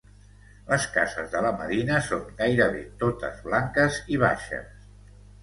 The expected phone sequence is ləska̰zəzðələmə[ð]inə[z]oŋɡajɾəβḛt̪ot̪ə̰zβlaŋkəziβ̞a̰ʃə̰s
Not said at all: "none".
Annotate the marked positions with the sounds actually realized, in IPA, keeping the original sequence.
ð, s

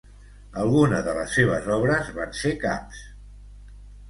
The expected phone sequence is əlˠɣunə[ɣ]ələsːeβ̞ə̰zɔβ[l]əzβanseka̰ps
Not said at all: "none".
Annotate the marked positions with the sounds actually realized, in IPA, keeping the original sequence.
ð, ɾ

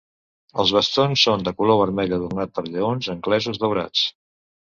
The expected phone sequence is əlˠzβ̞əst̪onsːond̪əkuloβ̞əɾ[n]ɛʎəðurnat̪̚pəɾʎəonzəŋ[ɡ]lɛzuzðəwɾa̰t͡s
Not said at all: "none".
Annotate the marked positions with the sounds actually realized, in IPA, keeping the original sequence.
m, k

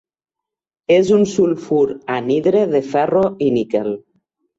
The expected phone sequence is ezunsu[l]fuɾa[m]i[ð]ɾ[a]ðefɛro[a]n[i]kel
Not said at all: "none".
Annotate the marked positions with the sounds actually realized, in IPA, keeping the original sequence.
l, n, ð, e, i, i

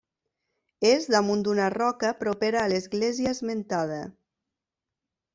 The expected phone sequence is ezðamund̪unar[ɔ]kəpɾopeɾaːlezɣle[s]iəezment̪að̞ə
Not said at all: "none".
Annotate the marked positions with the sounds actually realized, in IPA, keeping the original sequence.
ɔ, z

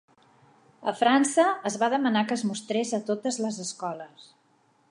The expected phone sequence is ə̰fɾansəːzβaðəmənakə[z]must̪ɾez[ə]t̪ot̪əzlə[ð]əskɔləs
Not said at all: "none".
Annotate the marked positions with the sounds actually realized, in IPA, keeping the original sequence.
z, ə, z

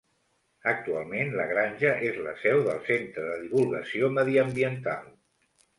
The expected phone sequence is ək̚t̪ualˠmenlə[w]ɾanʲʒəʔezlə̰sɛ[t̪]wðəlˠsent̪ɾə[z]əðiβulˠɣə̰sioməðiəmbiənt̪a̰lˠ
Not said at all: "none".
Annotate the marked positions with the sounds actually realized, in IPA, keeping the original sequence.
ɣ, none, ð

